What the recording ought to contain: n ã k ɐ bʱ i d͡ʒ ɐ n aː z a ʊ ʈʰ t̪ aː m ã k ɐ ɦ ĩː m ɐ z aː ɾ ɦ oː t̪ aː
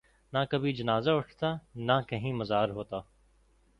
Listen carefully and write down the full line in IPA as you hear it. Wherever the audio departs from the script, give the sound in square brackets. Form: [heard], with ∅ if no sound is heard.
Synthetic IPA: n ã k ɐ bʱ i d͡ʒ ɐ n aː z a ʊ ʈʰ t̪ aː [n] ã k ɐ ɦ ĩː m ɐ z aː ɾ ɦ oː t̪ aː